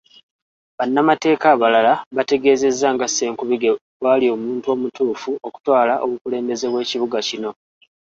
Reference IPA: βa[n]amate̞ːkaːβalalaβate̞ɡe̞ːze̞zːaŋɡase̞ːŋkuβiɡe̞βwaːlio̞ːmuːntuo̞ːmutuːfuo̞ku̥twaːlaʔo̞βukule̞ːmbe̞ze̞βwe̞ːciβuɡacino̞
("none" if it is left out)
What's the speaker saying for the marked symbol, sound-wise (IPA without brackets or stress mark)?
nː